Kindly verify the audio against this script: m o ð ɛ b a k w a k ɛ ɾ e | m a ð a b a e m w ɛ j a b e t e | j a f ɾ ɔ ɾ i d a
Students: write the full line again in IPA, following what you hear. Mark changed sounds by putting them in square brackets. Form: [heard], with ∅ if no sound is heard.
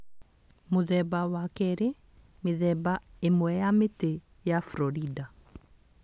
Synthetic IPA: m o ð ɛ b a [∅] w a k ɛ ɾ e | m [e] ð [ɛ] b a e m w ɛ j a [m] e t e | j a f ɾ ɔ ɾ i d a